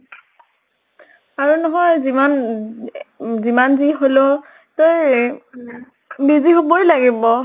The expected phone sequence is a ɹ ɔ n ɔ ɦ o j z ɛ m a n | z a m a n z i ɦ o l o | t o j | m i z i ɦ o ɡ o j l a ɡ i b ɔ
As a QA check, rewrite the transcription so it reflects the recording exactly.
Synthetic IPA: a ɹ u n ɔ ɦ ɔ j z i m a n | z i m a n z i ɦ o l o | t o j | b i z i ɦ o b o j l a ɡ i b ɔ

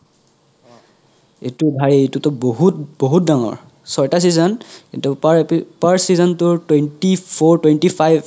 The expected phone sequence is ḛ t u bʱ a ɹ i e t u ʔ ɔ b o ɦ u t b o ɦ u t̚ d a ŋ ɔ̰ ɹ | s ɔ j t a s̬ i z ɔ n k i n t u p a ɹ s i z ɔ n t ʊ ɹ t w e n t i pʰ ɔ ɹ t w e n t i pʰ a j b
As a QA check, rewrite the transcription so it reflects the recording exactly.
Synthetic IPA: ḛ t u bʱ a ɹ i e t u t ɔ b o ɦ u t b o ɦ u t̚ d a ŋ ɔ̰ ɹ | s ɔ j t a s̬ i z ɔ n k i n t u p a ɹ s i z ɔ n t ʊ ɹ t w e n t i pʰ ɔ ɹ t w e n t i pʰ a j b

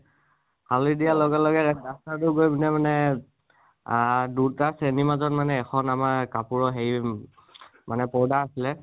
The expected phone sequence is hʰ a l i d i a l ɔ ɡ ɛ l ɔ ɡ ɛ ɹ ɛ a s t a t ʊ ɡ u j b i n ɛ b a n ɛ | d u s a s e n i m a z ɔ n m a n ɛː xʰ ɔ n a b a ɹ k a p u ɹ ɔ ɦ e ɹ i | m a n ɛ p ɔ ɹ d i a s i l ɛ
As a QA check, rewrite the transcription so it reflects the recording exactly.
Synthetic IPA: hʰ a l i d i a l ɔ ɡ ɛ l ɔ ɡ ɛ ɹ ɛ a s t a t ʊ ɡ o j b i n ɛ m a n ɛ | d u t a s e n i m a z ɔ n m a n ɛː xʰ ɔ n a m a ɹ k a p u ɹ ɔ ɦ e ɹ i | m a n ɛ p ɔ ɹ d a a s i l ɛ

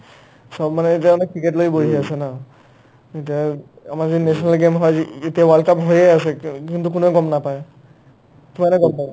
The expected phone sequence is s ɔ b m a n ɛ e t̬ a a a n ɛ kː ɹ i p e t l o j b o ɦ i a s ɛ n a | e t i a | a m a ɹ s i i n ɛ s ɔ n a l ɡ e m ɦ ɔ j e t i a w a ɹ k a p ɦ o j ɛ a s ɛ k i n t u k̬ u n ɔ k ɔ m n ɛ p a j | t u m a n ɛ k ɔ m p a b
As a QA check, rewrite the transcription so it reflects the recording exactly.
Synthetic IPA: s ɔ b m a n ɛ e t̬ i a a n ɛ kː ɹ i k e t l o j b o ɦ i a s ɛ n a | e t i a | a m a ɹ z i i n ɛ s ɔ n a l ɡ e m ɦ ɔ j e t i a w a l k a p ɦ o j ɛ a s ɛ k i n t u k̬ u n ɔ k ɔ m n a p a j | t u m a n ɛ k ɔ m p a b

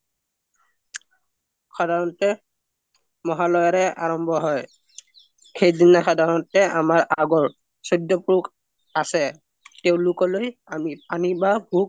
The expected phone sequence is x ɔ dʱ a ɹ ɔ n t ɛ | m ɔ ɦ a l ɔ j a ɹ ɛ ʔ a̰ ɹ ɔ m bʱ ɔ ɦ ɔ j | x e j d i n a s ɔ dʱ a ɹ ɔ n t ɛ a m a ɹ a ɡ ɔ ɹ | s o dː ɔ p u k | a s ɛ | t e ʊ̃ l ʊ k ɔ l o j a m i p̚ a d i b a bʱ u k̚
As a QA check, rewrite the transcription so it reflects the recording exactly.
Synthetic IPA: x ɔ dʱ a ɹ ɔ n t ɛ | m ɔ ɦ a l ɔ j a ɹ ɛ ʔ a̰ ɹ ɔ m bʱ ɔ ɦ ɔ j | x e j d i n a x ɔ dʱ a ɹ ɔ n t ɛ a m a ɹ a ɡ ɔ ɹ | s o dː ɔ p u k | a s ɛ | t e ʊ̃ l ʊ k ɔ l o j a m i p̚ a n i b a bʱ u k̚

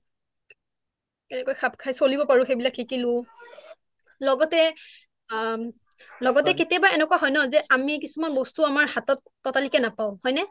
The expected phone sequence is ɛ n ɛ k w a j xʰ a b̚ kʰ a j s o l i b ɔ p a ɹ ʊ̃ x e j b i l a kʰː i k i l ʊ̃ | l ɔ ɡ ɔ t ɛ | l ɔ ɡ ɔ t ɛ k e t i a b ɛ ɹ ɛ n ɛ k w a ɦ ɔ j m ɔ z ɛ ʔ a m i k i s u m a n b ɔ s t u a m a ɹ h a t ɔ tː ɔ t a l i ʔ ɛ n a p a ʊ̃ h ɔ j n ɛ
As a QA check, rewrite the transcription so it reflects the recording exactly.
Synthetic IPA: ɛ n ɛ k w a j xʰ a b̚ kʰ a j s o l i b ɔ p a ɹ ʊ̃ x e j b i l a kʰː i k i l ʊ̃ | l ɔ ɡ ɔ t ɛ | l ɔ ɡ ɔ t ɛ k e t i a b a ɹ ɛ n ɛ k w a ɦ ɔ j n ɔ z ɛ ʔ a m i k i s u m a n b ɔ s t u a m a ɹ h a t ɔ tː ɔ t a l i k ɛ n a p a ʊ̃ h ɔ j n ɛ

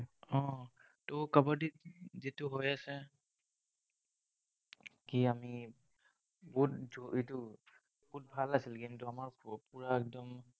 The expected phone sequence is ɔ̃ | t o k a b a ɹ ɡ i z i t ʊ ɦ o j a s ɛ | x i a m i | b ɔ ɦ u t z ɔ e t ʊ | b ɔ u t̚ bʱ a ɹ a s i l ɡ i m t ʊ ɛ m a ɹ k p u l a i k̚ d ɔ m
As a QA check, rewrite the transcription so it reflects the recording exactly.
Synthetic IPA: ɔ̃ | t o k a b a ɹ d i z i t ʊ ɦ o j a s ɛ | k i a m i | b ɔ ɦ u t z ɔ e t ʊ | b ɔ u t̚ bʱ a l a s i l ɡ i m t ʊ a m a ɹ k p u ɹ a ɛ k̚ d ɔ m

